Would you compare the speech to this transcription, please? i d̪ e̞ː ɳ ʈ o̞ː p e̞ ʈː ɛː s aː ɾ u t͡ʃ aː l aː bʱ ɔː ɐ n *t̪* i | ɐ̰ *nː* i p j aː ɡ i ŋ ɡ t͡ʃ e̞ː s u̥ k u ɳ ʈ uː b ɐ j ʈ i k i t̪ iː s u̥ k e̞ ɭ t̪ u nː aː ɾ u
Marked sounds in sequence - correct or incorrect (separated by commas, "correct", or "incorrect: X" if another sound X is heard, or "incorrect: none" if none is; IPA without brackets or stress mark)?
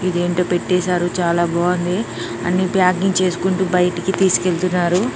incorrect: d̪, correct